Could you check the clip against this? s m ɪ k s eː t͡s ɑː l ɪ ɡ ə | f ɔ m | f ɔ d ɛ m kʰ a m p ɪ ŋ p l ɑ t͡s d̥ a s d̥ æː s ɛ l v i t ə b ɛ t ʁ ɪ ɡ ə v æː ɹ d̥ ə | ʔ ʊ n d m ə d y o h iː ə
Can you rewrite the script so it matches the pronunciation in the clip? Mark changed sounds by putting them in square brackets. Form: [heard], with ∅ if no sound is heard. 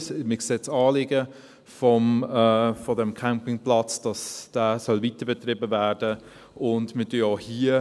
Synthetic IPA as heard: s m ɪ k s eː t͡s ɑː l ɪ ɡ ə | f ɔ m | f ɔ d ɛ m kʰ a m p ɪ ŋ p l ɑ t͡s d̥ [ɑ] s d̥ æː s [œ] l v i t ə b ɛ t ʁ ɪ [b] ə v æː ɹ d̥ ə | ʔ ʊ n d m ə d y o h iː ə

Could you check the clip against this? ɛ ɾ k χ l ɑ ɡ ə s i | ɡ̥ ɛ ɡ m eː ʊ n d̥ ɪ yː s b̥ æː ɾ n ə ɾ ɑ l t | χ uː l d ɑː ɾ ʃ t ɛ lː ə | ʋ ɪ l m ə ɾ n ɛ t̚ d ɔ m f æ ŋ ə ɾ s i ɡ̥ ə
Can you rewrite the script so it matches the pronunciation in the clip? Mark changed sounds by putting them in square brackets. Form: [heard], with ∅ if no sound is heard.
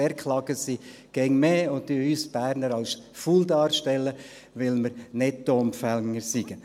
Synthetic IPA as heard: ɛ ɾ k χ l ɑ ɡ ə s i | ɡ̥ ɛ [ŋ] m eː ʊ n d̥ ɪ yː s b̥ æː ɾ n ə ɾ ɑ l [s] | [f] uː l d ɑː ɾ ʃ t ɛ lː ə | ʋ ɪ l m ə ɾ n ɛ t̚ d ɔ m f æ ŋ ə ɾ s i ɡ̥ ə

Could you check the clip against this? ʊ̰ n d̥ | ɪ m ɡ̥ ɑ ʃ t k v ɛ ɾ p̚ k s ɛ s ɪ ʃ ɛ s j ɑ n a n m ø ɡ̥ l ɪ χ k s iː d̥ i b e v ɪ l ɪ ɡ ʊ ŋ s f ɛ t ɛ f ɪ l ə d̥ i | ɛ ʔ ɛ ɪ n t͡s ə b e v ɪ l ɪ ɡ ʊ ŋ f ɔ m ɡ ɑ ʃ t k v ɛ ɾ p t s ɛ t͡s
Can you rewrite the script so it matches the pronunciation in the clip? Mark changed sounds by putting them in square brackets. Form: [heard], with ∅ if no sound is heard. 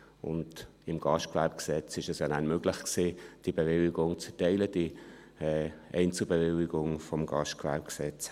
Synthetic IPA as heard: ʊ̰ n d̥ | ɪ m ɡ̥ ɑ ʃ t k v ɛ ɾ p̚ k s ɛ [t͡s] ɪ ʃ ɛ s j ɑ n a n m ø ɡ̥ l ɪ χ k s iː d̥ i b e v ɪ l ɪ ɡ ʊ ŋ [t͡s] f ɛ t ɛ [∅] ɪ l ə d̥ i | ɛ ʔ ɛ ɪ n t͡s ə b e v ɪ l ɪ ɡ ʊ ŋ f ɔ m ɡ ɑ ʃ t k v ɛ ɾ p [k] s ɛ t͡s

